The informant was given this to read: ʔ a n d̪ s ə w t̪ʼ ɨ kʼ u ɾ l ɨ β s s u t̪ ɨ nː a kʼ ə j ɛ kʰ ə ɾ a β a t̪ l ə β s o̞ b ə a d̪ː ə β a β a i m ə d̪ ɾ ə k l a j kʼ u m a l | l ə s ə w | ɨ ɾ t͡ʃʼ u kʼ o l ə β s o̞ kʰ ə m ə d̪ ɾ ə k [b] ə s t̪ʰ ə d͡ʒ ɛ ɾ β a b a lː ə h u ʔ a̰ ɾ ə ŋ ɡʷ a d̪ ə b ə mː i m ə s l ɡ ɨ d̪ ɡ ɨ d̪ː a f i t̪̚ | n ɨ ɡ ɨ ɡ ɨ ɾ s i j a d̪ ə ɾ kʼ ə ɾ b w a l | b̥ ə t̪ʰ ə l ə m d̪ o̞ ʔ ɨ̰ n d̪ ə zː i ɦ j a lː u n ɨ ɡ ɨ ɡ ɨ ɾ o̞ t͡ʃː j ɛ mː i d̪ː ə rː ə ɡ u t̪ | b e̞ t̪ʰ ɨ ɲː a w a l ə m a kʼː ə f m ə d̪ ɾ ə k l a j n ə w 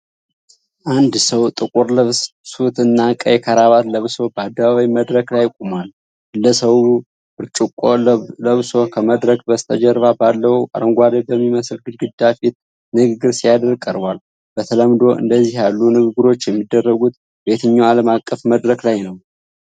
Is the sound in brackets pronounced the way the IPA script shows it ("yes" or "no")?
yes